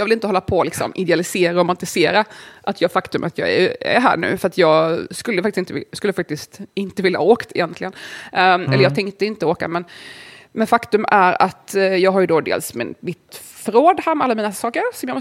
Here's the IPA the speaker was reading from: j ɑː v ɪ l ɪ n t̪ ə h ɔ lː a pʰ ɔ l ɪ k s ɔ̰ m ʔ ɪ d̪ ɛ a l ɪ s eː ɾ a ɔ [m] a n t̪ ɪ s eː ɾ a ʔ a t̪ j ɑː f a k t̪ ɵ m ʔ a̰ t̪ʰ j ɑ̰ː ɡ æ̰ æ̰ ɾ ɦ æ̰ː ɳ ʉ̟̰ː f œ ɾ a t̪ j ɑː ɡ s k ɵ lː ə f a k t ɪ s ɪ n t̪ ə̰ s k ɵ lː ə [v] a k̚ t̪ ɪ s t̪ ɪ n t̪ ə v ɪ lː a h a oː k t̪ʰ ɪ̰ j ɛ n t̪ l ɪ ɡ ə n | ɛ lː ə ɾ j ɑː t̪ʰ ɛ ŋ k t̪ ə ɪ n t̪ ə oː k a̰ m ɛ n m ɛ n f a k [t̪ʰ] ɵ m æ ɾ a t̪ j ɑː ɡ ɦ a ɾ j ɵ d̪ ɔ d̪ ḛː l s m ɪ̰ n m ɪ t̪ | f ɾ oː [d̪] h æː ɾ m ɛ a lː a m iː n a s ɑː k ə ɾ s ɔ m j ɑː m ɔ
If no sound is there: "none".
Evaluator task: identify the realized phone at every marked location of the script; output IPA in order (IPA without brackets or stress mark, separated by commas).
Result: m, f, t̪, d̪